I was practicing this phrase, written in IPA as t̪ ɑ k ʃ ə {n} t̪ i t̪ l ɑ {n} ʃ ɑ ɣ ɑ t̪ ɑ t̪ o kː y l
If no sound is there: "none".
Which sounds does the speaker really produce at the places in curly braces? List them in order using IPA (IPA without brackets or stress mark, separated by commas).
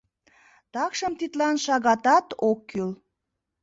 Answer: m, n